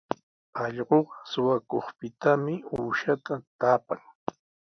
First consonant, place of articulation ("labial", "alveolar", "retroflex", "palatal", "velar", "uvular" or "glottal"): palatal